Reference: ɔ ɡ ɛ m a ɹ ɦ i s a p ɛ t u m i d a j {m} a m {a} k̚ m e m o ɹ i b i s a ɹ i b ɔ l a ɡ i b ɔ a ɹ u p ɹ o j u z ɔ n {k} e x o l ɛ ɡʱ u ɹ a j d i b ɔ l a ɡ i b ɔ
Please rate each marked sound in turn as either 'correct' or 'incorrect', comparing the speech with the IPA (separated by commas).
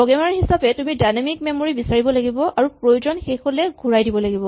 incorrect, incorrect, incorrect